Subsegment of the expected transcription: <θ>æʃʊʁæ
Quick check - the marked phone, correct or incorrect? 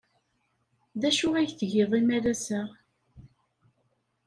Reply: incorrect